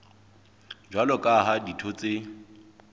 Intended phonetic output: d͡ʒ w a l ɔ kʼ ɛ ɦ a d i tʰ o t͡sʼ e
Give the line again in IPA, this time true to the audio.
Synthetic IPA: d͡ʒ w a l ɔ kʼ a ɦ a d i tʰ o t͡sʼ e